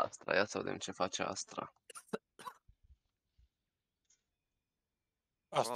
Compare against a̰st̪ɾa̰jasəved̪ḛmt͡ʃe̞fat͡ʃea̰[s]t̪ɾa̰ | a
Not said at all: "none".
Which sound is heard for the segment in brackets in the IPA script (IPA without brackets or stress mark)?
s